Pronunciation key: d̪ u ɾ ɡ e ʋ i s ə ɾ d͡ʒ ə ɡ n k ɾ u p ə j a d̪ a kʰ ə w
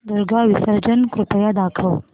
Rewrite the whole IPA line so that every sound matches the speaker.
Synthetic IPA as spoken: d̪ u ɾ ɡ a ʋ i s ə ɾ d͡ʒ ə n k ɾ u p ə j a d̪ a kʰ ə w